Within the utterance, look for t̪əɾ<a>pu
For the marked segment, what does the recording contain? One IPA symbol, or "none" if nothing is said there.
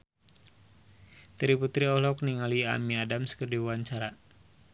i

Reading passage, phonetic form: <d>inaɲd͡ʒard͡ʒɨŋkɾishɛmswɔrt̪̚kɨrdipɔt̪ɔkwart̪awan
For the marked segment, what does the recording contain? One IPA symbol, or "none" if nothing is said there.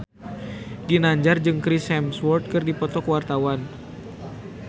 d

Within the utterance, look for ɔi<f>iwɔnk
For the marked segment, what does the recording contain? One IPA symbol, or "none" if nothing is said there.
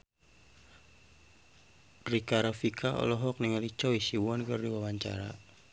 s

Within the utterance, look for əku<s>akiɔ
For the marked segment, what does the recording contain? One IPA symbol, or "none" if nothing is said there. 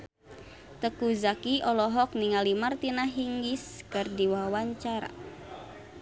z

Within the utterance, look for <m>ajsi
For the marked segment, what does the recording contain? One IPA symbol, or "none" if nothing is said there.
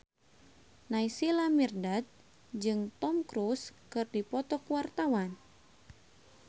n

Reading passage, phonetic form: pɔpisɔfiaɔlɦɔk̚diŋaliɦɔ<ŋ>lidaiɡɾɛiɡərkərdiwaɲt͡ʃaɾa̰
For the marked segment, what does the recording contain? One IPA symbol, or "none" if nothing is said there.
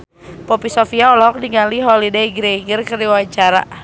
none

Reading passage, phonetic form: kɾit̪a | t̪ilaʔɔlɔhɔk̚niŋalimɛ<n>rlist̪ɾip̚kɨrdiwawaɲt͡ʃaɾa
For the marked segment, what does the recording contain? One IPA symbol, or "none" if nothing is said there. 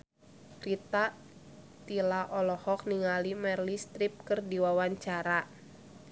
none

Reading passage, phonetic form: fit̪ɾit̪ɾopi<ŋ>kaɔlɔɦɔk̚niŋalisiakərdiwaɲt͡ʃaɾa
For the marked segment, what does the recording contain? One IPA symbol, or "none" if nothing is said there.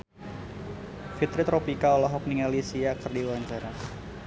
none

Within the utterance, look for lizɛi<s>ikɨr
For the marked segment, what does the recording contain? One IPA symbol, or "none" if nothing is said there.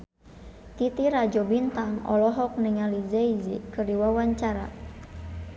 z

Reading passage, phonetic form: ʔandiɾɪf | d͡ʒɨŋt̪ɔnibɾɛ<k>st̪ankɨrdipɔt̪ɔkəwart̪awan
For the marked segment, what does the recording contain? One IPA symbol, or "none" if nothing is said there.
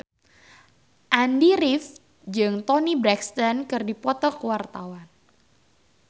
k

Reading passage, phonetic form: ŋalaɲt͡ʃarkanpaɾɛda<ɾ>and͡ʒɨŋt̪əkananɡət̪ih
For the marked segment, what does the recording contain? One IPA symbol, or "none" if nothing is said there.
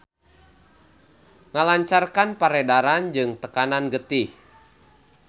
ɾ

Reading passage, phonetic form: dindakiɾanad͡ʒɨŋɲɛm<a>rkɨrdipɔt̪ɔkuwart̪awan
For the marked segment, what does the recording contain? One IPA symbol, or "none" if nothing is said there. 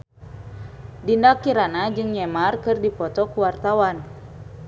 a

